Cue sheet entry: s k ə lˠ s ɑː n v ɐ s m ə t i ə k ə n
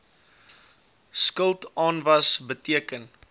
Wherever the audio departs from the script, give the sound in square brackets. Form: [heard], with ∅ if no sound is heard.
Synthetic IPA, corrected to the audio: s k ə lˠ [t] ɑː n v ɐ s [b] ə t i ə k ə n